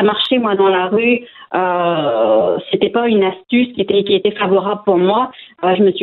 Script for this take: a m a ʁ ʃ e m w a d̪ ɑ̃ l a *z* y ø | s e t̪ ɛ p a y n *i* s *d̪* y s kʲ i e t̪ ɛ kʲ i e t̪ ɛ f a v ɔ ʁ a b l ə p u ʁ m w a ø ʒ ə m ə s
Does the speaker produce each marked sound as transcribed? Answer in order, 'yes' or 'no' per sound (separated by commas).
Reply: no, no, no